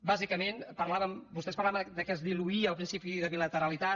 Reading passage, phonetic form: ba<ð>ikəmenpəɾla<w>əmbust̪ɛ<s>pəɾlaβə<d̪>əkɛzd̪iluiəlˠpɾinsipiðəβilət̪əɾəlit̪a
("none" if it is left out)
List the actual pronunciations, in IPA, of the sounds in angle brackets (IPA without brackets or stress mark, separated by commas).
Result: z, β, s, d̪